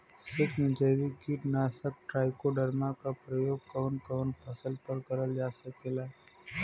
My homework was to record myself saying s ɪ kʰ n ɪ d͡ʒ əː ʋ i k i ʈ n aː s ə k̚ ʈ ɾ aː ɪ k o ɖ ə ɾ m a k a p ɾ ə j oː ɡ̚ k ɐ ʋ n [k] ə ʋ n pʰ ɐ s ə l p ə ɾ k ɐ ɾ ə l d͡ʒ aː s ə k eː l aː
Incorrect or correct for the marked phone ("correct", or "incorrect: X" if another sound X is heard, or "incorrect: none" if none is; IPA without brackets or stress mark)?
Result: correct